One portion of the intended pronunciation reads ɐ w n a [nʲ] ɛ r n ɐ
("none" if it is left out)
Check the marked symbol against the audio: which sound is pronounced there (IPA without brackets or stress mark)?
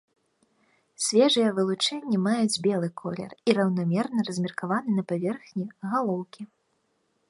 mʲ